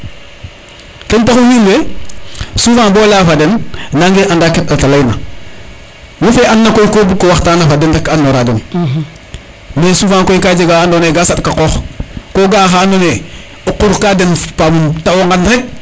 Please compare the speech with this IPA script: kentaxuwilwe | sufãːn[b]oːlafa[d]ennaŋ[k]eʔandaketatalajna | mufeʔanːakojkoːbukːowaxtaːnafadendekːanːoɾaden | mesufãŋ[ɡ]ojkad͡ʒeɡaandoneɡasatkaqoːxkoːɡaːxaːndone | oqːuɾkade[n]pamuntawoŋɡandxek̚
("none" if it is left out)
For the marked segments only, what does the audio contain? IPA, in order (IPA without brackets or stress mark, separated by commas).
b, d, ɡ, k, n